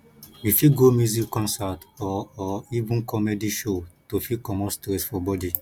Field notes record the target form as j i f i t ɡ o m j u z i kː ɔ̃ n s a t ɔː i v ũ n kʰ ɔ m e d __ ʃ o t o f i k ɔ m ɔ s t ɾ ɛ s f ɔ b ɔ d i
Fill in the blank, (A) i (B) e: A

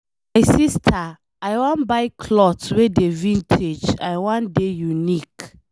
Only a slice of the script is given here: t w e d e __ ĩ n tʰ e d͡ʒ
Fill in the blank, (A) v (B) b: A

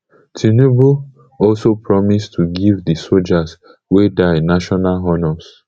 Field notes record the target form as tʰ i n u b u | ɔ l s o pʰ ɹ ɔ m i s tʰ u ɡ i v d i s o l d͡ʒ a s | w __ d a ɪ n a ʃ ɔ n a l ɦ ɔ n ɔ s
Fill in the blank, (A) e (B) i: A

